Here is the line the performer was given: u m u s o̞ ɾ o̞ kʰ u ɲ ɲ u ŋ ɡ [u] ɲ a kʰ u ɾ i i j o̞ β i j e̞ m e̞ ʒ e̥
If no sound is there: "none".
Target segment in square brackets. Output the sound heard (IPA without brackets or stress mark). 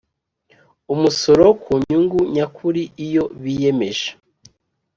u